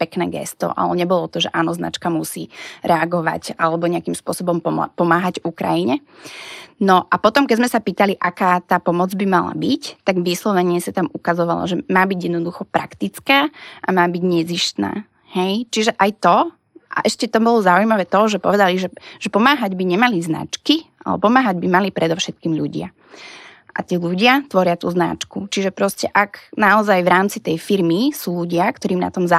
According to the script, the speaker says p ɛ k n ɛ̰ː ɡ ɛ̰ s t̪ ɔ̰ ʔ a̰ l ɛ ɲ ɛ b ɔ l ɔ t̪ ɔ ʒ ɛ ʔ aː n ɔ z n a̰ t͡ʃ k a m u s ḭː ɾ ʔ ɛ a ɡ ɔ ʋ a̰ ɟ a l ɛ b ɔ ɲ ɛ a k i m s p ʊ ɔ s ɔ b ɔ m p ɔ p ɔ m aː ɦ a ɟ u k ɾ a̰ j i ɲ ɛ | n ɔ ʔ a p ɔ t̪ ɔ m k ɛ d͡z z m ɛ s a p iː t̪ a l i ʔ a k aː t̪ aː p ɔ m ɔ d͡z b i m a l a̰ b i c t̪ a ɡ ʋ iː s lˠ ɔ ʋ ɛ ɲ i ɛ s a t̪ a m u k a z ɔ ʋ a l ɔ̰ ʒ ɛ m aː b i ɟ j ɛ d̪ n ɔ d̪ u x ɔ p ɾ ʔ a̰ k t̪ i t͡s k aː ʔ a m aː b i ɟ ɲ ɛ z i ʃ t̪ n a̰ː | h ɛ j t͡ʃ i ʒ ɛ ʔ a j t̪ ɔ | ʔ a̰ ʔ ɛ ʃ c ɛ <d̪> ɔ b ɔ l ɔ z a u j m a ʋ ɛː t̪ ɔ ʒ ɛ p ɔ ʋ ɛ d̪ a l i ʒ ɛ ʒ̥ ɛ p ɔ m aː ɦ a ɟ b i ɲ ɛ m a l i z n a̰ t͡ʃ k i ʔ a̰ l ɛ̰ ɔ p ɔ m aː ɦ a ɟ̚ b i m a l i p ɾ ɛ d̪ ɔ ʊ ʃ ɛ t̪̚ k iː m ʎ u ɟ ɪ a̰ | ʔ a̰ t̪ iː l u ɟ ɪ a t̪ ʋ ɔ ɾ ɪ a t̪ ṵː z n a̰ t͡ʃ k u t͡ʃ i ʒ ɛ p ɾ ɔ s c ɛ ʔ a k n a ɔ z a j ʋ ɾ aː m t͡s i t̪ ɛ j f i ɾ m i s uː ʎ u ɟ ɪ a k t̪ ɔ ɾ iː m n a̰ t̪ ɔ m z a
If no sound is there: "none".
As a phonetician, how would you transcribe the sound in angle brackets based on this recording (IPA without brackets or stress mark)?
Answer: t̪